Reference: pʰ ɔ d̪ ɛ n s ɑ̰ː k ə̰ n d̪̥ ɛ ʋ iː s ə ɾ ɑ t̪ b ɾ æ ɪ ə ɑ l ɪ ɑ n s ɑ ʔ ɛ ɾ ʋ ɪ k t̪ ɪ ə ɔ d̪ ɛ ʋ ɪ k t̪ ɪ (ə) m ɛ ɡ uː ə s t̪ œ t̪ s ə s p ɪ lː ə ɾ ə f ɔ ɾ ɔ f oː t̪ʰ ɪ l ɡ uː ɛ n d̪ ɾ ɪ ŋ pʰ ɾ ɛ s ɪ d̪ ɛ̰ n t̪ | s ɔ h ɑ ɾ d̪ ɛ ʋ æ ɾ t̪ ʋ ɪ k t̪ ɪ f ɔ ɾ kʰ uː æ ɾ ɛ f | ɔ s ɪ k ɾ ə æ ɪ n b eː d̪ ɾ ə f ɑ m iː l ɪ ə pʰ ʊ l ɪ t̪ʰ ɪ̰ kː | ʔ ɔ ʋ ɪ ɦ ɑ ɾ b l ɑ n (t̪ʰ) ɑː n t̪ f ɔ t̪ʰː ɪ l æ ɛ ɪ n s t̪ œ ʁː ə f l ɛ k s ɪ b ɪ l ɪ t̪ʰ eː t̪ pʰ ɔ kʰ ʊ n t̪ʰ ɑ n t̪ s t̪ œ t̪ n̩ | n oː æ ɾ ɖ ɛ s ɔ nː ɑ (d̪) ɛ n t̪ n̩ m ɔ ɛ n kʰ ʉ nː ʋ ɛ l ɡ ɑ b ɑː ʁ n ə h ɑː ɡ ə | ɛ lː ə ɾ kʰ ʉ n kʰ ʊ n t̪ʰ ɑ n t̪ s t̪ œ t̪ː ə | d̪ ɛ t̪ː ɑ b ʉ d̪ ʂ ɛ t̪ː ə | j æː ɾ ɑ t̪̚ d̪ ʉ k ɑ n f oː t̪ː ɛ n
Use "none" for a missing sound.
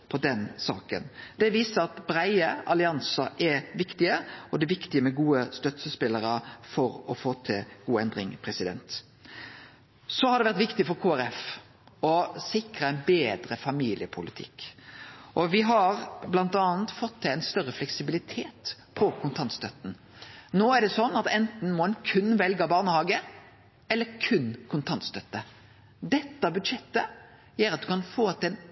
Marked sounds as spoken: ə, t̪, t̪

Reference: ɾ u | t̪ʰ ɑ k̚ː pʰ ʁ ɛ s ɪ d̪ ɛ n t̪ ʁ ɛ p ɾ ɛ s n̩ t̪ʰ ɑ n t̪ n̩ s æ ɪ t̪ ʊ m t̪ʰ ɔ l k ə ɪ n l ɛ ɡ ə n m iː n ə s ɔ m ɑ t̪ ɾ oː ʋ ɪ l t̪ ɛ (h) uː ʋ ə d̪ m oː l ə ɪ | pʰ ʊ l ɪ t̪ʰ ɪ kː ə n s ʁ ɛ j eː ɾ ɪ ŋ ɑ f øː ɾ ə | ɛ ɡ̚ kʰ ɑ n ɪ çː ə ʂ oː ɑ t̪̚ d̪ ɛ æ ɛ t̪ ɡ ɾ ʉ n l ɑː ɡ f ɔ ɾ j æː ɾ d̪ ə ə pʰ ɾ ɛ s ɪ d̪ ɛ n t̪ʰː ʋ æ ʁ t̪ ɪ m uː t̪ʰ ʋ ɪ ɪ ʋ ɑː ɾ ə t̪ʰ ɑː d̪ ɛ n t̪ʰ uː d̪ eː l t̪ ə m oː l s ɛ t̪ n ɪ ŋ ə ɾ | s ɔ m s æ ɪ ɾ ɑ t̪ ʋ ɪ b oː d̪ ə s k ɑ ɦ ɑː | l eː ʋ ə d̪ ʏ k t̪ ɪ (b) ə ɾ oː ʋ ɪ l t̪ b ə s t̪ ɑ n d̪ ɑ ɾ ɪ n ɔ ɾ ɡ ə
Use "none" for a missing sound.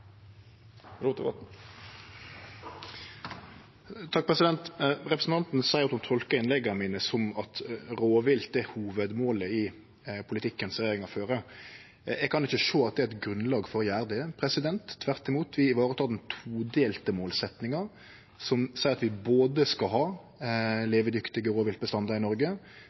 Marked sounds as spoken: h, ɡ

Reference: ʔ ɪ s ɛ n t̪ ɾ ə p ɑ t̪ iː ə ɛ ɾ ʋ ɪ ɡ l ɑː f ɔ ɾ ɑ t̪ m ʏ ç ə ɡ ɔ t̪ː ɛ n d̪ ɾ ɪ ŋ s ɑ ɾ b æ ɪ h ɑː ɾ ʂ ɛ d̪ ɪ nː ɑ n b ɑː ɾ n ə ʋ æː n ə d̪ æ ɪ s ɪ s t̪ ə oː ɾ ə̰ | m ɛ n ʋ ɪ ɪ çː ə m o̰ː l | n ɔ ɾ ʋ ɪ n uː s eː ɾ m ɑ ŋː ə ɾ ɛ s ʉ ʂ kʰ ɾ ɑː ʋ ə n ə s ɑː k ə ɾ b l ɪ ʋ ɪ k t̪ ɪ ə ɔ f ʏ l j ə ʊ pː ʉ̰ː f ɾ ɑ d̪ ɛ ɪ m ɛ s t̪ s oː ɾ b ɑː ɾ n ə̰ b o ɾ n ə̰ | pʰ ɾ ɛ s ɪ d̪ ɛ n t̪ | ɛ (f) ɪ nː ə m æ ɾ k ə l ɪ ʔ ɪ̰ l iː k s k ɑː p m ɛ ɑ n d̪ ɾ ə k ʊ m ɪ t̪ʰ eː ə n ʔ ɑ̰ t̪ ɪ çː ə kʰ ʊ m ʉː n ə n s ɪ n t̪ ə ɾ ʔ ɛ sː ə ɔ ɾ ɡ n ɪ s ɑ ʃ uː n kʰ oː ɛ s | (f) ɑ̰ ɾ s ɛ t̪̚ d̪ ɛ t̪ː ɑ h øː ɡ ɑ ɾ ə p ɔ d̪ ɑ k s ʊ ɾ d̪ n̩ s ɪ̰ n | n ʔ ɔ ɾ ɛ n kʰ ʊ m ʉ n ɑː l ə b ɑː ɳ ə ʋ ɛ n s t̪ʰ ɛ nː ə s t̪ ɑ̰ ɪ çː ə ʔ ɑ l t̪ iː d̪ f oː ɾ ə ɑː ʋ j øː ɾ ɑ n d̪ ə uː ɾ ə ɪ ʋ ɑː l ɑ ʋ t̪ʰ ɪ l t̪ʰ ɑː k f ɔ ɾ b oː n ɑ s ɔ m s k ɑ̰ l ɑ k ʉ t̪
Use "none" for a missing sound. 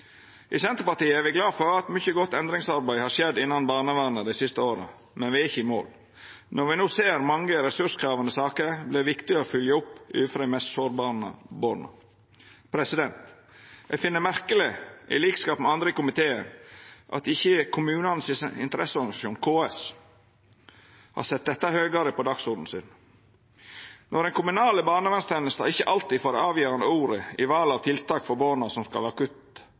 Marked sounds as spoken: f, h

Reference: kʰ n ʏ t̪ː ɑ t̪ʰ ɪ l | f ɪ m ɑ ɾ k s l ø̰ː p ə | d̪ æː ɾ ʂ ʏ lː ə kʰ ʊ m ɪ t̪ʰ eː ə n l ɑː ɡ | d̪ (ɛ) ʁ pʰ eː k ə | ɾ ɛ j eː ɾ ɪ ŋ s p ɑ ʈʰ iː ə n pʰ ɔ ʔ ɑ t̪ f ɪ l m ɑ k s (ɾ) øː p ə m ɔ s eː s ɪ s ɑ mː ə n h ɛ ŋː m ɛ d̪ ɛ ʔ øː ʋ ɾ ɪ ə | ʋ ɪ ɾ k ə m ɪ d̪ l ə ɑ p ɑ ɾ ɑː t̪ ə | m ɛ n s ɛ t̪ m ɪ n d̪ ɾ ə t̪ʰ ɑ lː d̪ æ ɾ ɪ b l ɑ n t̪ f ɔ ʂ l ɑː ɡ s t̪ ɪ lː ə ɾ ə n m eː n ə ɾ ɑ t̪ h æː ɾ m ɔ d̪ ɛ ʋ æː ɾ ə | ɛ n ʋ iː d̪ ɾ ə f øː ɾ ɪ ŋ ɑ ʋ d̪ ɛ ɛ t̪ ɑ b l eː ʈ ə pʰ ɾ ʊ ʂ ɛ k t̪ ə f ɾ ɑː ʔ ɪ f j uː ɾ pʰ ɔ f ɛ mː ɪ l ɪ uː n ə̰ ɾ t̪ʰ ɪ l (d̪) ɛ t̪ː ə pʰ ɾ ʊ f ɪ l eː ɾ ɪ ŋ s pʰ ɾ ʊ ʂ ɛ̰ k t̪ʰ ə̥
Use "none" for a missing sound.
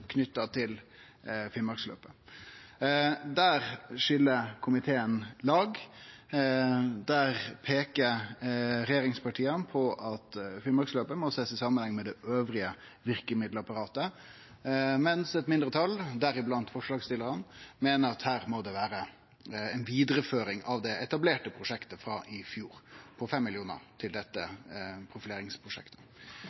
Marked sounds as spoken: æ, l, d̪

